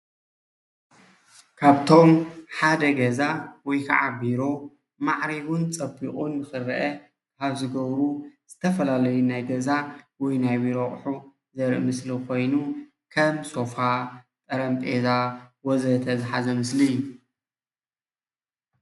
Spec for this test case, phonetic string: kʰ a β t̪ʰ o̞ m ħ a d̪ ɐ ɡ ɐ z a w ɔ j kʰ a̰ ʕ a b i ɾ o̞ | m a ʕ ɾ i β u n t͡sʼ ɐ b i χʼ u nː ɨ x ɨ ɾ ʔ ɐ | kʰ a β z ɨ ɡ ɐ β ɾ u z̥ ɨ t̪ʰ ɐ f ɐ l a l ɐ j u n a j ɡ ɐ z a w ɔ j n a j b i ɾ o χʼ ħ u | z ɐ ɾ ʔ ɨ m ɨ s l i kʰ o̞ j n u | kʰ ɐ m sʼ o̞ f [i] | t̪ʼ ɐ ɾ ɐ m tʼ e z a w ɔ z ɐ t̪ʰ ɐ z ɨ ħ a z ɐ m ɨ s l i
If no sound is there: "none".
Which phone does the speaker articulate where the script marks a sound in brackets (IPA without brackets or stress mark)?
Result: a